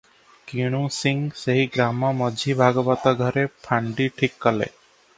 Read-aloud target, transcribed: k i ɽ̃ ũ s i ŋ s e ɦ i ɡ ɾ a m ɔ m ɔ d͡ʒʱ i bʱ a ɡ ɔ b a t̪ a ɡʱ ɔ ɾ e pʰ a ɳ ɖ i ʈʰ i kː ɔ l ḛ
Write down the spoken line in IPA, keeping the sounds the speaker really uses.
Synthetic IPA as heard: k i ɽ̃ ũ s i ŋ s e ɦ i ɡ ɾ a m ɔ m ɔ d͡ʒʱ i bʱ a ɡ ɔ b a t̪ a ɡʱ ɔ ɾ e pʰ a ɳ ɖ i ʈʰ i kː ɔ l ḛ